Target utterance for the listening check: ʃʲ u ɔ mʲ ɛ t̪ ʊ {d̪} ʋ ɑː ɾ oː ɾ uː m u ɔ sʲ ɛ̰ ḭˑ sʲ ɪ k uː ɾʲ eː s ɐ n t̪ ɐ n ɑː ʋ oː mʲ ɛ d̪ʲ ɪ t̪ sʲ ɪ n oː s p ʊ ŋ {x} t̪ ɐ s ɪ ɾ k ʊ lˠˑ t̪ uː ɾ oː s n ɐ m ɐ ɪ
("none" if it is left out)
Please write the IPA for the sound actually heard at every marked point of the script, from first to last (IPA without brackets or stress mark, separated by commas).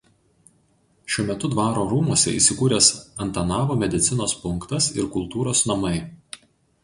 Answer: d̪, k